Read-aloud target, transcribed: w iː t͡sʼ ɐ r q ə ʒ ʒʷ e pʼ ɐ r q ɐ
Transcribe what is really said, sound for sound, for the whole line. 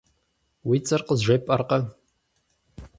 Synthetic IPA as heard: w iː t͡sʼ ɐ r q ə z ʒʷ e pʼ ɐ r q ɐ